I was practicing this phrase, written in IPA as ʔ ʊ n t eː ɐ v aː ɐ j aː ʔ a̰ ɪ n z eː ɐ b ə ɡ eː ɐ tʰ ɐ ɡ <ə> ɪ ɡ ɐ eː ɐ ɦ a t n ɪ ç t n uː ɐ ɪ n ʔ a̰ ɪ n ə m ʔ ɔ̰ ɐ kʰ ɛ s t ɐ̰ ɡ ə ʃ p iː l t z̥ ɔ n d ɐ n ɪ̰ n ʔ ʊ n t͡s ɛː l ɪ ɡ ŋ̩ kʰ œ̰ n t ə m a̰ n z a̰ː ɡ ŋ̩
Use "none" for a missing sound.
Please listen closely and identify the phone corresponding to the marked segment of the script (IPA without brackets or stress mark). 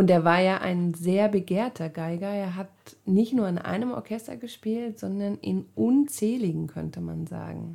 a